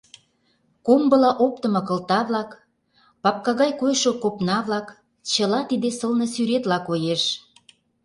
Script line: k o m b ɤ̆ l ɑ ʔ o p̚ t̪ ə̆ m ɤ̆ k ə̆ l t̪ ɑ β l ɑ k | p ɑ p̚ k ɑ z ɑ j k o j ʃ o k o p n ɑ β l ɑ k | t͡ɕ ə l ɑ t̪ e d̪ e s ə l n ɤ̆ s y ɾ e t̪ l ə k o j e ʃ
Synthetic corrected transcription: k o m b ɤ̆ l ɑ ʔ o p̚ t̪ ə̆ m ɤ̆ k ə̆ l t̪ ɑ β l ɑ k | p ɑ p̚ k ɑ ɣ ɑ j k o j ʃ o k o p n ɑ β l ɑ k | t͡ɕ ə l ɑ t̪ i d̪ e s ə l n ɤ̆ s y ɾ e t̪ l ɑ k o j e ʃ